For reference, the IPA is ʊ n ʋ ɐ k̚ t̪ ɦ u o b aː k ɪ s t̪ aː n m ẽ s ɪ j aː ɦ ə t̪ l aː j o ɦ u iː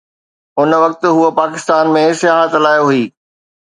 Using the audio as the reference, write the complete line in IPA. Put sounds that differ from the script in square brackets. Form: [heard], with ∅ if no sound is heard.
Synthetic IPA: ʊ n ʋ ɐ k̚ t̪ ɦ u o [p] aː k ɪ s t̪ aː n m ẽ s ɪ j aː ɦ ə t̪ l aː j o ɦ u iː